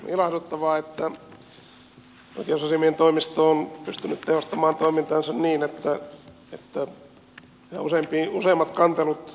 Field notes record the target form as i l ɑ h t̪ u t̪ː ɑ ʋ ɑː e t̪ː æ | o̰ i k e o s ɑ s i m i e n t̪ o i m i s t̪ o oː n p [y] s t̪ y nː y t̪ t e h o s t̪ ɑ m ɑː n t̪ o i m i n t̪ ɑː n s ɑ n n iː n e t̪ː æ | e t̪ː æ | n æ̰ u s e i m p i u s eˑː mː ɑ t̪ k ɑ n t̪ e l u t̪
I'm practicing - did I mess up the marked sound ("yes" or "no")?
no